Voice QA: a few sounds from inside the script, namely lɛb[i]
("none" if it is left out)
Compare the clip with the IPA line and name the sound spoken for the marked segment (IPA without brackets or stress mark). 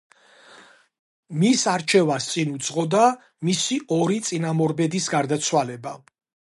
a